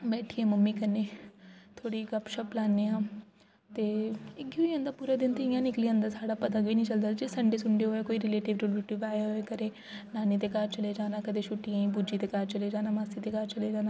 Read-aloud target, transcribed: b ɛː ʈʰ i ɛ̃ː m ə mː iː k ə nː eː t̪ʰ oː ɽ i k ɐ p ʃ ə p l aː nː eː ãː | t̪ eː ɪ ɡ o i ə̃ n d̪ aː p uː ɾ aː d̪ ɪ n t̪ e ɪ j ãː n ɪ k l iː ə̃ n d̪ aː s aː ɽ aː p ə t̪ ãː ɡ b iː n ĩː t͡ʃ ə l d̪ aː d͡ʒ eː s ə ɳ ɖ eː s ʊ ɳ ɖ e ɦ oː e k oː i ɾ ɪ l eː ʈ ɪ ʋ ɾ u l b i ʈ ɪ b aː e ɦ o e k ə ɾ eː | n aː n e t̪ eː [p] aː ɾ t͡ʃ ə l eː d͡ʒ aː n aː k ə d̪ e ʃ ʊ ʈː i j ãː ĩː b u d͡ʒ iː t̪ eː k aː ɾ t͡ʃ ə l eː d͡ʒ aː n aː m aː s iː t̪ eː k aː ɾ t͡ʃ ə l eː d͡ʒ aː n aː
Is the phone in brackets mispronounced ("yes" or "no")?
yes